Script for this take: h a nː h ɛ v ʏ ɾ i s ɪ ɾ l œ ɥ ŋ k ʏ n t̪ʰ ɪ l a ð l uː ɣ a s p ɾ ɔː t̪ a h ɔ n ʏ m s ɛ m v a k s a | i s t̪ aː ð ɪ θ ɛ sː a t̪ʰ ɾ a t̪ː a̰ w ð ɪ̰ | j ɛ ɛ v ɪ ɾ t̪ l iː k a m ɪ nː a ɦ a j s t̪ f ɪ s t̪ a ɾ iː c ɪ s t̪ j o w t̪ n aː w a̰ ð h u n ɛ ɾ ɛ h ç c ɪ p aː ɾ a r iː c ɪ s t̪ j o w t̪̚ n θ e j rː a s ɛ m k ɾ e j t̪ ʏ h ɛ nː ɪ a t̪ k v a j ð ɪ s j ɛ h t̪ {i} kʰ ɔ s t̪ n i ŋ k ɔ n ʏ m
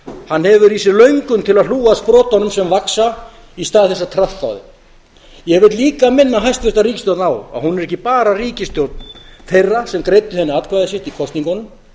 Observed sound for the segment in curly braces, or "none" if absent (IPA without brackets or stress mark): i